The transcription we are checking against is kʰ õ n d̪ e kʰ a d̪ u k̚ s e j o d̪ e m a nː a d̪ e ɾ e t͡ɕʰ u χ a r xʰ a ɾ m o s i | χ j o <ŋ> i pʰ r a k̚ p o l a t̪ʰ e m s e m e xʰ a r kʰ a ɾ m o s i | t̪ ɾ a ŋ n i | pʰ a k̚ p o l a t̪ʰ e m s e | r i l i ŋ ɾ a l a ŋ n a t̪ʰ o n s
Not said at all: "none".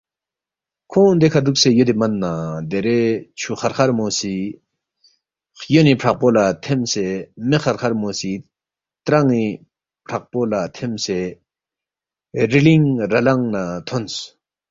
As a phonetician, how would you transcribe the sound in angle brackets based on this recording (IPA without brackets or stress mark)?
n